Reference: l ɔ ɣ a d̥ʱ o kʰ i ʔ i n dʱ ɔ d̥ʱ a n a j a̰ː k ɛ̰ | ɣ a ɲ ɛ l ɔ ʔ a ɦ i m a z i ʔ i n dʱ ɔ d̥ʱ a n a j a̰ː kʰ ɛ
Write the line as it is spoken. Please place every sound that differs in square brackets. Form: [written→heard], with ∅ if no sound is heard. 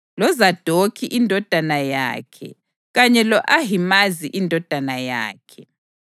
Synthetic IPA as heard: l ɔ [ɣ→z] a d̥ʱ o kʰ i ʔ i n dʱ ɔ d̥ʱ a n a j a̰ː [k→kʰ] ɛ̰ | ɣ a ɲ ɛ l ɔ ʔ a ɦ i m a z i ʔ i n dʱ ɔ d̥ʱ a n a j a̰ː kʰ ɛ